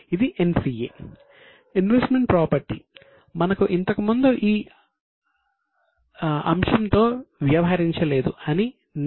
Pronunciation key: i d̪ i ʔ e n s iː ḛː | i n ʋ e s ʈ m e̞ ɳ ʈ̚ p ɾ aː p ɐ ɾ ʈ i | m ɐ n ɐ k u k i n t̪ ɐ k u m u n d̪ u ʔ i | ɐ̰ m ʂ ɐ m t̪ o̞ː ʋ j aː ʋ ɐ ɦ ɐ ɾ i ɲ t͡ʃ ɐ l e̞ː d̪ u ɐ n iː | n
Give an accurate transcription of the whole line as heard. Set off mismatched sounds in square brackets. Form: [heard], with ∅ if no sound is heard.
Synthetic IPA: i d̪ i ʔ e n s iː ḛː | i n ʋ e s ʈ m e̞ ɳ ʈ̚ p ɾ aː p ɐ ɾ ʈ i | m ɐ n ɐ k u [ʔ] i n t̪ ɐ k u m u n d̪ u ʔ [iː] | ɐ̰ m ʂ ɐ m t̪ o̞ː ʋ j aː ʋ ɐ ɦ ɐ ɾ i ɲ t͡ʃ ɐ l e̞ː d̪ u ɐ n [i] | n